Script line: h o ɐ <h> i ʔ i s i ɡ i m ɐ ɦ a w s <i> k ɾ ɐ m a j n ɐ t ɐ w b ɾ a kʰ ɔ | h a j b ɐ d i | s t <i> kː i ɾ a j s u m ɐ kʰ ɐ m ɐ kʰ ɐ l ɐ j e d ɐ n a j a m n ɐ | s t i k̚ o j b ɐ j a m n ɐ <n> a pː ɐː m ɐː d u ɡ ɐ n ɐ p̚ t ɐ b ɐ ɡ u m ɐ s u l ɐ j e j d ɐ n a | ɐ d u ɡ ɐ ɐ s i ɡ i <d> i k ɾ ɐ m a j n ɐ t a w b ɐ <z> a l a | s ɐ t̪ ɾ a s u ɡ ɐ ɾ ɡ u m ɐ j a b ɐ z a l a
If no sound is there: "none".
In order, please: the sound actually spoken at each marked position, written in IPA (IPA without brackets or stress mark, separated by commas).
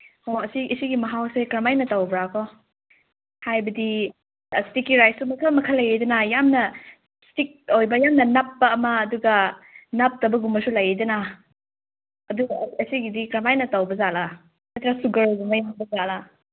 s, e, i, n, d, z